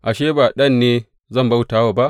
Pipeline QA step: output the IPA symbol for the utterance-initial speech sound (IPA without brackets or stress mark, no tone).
ʔ